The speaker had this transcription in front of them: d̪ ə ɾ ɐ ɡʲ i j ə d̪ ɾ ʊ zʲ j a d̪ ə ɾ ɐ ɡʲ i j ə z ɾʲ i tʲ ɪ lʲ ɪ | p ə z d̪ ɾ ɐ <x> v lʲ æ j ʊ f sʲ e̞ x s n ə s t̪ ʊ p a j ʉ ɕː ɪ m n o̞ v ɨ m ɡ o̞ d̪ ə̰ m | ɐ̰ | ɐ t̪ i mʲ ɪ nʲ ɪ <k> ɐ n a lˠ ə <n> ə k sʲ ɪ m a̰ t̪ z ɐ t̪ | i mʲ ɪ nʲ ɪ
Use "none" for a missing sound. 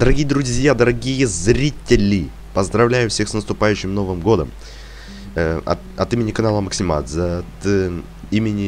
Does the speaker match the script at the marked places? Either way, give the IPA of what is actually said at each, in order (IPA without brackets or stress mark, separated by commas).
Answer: none, k, m